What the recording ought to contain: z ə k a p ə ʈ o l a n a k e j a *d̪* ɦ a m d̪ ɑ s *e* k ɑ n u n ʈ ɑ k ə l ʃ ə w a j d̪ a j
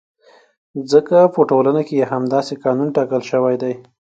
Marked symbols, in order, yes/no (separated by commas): no, yes